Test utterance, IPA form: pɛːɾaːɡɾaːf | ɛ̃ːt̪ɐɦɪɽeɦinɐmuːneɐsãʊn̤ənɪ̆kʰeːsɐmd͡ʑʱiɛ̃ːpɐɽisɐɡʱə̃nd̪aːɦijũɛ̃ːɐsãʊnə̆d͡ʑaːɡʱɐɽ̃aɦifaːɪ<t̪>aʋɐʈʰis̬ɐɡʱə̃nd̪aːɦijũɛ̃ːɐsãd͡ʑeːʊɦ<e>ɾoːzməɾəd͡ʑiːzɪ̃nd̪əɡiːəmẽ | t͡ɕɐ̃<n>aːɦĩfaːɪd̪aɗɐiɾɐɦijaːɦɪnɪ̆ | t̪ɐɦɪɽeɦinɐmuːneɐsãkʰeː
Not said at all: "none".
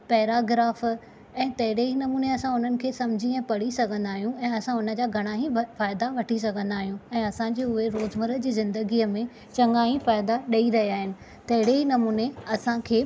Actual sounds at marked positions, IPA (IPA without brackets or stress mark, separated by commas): d̪, e, ŋ